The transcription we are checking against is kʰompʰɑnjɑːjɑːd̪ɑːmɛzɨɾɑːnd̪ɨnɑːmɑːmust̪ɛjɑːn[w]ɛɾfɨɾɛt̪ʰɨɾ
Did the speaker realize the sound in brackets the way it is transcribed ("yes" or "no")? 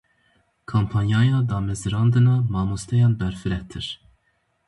no